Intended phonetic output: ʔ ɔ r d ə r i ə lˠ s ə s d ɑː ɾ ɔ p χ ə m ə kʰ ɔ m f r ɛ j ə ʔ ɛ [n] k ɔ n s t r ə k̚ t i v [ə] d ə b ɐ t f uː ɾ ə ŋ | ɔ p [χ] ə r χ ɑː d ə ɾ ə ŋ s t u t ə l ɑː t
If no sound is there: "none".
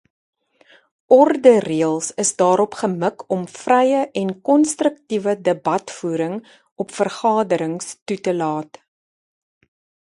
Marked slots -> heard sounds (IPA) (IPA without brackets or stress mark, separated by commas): n, ə, f